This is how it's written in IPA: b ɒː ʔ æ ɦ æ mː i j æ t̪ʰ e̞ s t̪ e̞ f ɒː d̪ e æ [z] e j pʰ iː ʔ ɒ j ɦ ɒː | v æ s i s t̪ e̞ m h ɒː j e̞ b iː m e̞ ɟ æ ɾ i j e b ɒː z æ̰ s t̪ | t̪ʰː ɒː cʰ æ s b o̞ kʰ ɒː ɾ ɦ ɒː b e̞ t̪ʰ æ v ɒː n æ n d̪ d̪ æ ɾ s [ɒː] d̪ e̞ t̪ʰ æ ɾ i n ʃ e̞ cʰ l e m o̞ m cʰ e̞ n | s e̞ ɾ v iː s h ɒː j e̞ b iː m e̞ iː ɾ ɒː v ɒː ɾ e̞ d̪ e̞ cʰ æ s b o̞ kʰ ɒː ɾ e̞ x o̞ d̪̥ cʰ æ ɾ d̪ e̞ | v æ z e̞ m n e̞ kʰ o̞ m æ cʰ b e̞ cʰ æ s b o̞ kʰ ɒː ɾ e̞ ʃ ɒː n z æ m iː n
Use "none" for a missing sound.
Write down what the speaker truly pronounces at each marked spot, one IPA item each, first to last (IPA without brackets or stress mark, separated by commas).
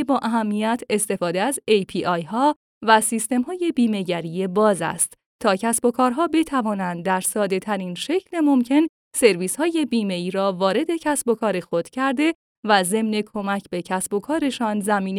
z, ɒː